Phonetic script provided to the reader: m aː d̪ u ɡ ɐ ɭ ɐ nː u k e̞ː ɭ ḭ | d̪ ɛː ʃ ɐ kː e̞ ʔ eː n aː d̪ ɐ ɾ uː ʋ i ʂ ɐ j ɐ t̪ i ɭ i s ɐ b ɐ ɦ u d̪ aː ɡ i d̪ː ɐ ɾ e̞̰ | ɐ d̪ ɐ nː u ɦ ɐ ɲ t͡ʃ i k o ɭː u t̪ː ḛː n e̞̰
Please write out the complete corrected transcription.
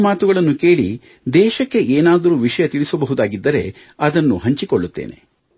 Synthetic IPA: m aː t̪ u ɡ ɐ ɭ ɐ nː u k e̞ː ɭ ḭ | d̪ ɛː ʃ ɐ kː e̞ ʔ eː n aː d̪ ɐ ɾ uː ʋ i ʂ ɐ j ɐ t̪ i ɭ i s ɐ b ɐ ɦ u d̪ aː ɡ i d̪ː ɐ ɾ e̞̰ | ɐ d̪ ɐ nː u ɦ ɐ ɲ t͡ʃ i k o ɭː u t̪ː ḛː n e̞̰